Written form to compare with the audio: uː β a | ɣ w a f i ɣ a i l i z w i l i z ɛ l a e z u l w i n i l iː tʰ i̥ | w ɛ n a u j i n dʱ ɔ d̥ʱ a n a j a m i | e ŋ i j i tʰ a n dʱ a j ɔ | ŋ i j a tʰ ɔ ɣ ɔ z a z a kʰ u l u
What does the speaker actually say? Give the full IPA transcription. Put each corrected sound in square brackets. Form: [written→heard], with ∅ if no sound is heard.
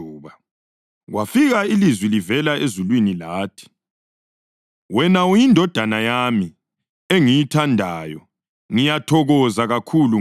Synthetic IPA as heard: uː β a | ɣ w a f i ɣ a i l i z w i l i [z→v] ɛ l a e z u l w i n i l [iː→aː] tʰ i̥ | w ɛ n a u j i n dʱ ɔ d̥ʱ a n a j a m i | e ŋ i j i tʰ a n dʱ a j ɔ | ŋ i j a tʰ ɔ ɣ ɔ z a [z→ɣ] a kʰ u l u